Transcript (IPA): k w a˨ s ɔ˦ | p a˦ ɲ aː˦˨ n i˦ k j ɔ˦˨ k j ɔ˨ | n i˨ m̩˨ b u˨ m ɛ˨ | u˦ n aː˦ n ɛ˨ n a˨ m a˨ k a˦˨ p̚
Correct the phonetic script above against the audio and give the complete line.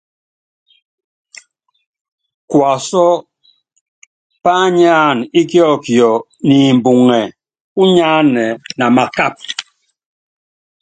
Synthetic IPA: k w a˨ s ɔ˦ | p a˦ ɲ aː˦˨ n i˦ k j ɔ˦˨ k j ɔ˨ | n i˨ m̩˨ b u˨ ŋ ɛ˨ | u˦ ɲ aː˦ n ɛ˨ n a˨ m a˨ k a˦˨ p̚